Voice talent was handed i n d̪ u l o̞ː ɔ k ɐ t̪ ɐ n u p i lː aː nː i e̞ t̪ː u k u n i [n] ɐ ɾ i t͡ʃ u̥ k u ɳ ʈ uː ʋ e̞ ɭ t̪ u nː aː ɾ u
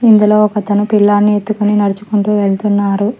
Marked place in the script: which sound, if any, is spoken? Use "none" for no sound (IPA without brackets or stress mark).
n